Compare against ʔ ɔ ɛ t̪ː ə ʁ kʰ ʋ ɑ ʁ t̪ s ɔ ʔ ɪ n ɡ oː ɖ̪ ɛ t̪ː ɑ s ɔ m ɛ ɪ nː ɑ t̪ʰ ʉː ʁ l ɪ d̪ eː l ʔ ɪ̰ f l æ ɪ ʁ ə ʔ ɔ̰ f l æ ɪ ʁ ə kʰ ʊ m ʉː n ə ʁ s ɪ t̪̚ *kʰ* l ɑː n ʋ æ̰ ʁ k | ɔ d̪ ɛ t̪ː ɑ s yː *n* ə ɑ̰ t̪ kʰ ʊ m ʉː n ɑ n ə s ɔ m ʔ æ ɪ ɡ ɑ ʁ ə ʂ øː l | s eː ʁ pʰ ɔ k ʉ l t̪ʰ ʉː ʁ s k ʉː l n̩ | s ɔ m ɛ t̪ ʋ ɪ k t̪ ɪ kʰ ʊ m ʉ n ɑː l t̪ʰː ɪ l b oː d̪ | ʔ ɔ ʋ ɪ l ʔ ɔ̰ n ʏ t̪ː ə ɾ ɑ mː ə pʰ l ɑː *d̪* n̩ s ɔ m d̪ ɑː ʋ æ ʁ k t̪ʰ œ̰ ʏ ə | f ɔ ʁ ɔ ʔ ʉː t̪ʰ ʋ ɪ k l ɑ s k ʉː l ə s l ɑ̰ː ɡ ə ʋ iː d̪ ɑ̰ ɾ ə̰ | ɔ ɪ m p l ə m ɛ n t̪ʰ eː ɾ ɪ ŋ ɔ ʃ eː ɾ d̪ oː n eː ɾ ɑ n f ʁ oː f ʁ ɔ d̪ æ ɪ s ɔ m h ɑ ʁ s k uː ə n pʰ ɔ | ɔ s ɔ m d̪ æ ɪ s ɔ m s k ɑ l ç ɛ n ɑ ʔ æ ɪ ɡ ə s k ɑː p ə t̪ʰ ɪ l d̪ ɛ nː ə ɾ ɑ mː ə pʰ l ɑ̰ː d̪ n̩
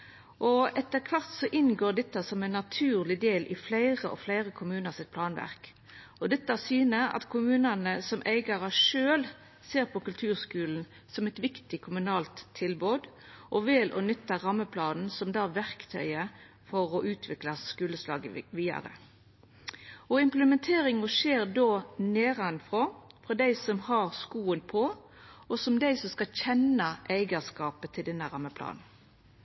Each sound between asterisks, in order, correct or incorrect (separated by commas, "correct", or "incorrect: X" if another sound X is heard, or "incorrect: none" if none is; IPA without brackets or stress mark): incorrect: pʰ, correct, correct